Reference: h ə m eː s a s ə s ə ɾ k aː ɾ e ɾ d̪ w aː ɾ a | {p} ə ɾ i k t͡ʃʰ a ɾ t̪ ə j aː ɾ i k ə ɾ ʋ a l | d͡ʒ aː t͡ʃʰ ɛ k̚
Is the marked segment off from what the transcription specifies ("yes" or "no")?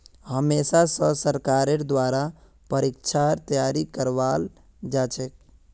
no